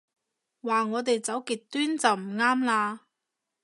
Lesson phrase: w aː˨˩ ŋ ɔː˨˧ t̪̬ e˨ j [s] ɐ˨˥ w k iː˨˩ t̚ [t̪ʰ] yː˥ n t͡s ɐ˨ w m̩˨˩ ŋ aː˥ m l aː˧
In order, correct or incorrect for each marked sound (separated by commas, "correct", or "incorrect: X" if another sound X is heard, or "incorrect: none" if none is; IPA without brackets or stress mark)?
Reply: incorrect: t͡s, incorrect: t̪